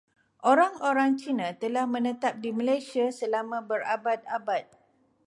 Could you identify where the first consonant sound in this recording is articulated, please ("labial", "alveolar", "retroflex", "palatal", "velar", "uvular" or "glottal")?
glottal